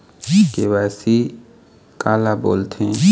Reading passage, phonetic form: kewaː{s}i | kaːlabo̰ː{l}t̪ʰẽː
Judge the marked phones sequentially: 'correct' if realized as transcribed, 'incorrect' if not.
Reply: correct, correct

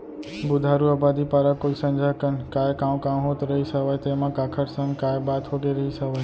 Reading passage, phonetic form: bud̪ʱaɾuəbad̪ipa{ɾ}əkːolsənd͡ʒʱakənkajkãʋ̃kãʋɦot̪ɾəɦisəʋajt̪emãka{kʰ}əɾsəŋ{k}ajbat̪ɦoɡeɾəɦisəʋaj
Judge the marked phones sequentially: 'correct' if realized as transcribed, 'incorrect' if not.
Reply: correct, correct, correct

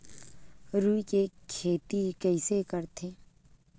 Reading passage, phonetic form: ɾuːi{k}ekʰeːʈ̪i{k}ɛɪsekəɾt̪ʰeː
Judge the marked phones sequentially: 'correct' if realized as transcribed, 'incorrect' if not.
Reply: correct, correct

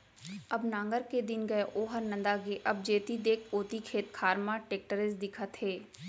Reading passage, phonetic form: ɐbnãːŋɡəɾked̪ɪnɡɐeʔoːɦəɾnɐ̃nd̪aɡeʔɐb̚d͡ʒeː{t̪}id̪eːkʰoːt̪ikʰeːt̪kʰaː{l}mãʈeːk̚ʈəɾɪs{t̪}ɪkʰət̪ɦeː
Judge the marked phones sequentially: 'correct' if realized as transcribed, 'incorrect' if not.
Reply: correct, incorrect: ɾ, incorrect: d̪

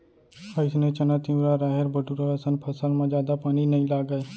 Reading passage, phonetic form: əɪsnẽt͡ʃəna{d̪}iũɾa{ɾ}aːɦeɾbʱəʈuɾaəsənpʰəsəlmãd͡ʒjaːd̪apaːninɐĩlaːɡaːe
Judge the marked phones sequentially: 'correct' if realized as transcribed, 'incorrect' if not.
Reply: incorrect: t̪, correct

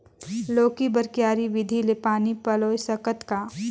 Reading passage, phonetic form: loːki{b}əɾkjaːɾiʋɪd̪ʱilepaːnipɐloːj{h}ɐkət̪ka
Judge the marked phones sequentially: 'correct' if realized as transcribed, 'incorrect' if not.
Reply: correct, incorrect: s

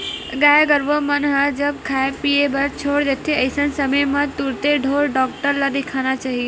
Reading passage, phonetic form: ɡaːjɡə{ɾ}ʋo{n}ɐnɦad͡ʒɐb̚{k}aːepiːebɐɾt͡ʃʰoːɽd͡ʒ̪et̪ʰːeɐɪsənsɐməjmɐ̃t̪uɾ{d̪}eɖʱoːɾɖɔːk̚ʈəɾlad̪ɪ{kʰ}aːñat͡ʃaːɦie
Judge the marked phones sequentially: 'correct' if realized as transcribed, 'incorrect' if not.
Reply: correct, incorrect: m, incorrect: kʰ, incorrect: t̪, correct

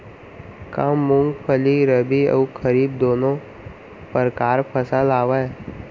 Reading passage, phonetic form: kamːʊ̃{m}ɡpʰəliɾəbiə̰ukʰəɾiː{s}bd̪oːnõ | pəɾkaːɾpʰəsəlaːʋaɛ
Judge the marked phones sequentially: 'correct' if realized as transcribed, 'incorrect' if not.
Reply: incorrect: ŋ, incorrect: none

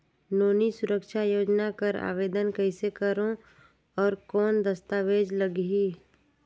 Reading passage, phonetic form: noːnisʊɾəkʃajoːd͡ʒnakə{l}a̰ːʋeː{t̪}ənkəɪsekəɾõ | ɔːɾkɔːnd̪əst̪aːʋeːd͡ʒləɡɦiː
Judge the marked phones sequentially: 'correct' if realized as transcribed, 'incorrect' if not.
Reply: incorrect: ɾ, incorrect: d̪

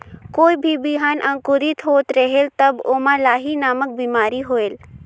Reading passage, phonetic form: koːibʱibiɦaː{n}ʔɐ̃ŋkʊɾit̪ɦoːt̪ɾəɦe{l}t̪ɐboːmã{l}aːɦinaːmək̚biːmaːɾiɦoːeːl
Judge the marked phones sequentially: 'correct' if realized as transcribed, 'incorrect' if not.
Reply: correct, correct, correct

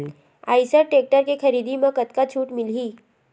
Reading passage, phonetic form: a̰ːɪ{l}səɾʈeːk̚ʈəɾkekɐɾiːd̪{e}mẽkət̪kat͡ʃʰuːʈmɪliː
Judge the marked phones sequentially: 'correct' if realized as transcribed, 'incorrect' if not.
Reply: incorrect: none, incorrect: i

